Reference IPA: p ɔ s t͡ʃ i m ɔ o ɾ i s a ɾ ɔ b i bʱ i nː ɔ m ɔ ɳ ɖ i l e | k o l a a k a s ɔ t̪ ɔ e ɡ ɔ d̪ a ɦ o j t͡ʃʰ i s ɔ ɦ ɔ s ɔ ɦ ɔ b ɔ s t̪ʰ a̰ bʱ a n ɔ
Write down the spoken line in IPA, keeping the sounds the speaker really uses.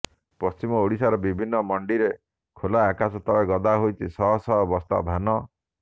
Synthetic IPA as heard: p ɔ s t͡ʃ i m ɔ o ɽ i s a ɾ ɔ b i bʱ i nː ɔ m ɔ ɳ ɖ i ɾ e | kʰ o l a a k a s ɔ t̪ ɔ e ɡ ɔ d̪ a ɦ o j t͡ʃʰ i s ɔ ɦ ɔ s ɔ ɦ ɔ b ɔ s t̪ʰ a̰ bʱ a n ɔ